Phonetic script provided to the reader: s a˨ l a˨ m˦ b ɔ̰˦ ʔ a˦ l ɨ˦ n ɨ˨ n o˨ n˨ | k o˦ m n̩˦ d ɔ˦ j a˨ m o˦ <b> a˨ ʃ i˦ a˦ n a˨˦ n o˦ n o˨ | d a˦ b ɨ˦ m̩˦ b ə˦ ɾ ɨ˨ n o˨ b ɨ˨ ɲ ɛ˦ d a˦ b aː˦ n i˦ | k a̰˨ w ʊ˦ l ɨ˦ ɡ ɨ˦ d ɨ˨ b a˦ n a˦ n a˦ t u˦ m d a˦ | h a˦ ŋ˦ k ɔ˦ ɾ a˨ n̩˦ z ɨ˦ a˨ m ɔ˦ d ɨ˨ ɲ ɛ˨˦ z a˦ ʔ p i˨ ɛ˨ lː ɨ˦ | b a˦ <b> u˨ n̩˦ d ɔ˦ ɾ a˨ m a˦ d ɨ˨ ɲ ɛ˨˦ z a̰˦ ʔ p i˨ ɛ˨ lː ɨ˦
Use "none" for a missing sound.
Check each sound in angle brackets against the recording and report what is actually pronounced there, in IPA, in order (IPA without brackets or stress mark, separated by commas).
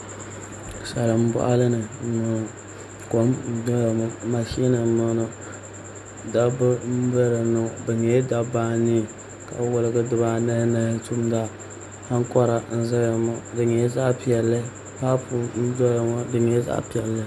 m, p